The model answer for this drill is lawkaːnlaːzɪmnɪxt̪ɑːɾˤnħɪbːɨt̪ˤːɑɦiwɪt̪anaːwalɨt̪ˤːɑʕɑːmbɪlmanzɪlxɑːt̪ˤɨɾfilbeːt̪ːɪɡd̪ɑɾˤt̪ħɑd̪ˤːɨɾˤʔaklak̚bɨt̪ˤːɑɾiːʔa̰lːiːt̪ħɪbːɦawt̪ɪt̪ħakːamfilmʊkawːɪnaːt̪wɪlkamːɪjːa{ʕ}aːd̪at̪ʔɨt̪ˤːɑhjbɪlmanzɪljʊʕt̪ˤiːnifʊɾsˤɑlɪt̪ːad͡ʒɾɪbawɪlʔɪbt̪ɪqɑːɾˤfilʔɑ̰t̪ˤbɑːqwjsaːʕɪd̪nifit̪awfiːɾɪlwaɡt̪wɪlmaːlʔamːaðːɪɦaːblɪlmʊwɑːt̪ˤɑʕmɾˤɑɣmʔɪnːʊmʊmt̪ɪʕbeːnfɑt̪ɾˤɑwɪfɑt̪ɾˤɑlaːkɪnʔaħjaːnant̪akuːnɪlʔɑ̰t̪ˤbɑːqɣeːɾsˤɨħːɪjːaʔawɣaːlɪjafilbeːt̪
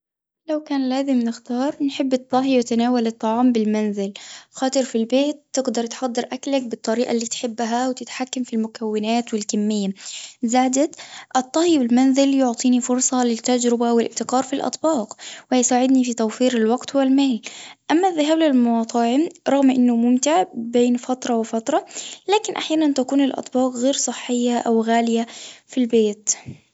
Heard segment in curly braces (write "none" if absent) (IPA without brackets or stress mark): z